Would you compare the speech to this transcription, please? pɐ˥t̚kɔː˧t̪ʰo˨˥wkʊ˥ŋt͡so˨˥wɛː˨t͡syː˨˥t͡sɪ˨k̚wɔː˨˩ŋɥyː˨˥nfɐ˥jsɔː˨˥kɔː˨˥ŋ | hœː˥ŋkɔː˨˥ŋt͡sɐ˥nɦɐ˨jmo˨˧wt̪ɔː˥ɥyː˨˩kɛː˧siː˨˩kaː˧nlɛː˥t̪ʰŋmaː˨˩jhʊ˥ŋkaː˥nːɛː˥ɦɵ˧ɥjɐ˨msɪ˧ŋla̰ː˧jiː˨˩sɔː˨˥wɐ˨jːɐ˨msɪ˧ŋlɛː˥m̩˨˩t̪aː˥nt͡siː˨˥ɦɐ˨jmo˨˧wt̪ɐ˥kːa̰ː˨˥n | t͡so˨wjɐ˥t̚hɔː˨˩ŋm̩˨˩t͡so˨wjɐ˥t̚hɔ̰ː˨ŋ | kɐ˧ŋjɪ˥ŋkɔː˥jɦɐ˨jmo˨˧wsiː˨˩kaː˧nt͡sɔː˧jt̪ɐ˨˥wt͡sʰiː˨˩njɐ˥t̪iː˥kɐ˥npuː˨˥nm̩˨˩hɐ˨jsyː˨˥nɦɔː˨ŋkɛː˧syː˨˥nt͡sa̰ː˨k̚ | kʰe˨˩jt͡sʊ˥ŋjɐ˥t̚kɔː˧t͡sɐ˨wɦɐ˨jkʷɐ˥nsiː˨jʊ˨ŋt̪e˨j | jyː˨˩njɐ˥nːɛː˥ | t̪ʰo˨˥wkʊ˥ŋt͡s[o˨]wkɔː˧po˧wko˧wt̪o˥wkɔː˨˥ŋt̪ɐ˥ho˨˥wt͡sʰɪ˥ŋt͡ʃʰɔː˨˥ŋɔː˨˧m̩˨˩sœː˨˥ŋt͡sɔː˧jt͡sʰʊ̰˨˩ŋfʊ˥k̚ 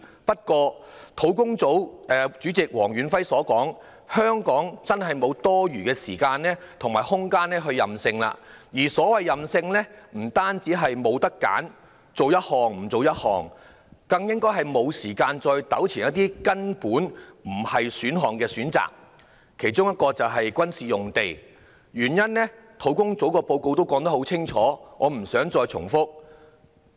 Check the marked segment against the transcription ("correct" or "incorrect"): incorrect